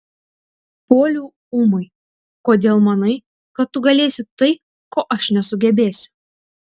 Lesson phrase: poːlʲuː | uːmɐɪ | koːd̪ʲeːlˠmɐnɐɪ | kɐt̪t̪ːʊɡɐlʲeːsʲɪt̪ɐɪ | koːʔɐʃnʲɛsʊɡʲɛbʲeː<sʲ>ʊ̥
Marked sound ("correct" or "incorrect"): correct